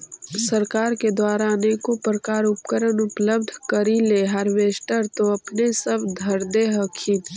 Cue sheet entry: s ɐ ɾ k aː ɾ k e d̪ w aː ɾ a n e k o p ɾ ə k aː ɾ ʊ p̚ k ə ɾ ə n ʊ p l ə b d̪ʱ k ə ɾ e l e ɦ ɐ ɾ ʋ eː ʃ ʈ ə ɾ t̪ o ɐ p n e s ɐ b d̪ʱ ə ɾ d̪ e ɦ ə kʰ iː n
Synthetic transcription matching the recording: s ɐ ɾ k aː ɾ k e d̪ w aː ɾ a n e k o p ɾ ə k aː ɾ ʊ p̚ k ə ɾ ə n ʊ p l ə b d̪ʱ k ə ɾ i l e ɦ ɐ ɾ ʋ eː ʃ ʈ ə ɾ t̪ o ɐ p n e s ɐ b d̪ʱ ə ɾ d̪ e ɦ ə kʰ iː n